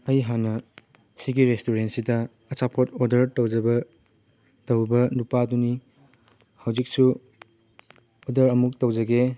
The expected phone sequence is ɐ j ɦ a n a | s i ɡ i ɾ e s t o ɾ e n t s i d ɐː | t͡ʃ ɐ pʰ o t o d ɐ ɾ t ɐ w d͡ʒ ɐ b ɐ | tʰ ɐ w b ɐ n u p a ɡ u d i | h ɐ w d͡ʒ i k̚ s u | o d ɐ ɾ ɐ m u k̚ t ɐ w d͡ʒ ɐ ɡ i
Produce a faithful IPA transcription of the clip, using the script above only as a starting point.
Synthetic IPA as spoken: ɐ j ɦ a n ɐ | s i ɡ i ɾ e s t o ɾ e n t s i d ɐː | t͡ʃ a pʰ o t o d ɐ ɾ t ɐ w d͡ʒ ɐ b ɐ | t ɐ w b ɐ n u p a d u n i | h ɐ w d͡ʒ i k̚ s u | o d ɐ ɾ ɐ m u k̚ t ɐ w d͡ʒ ɐ ɡ e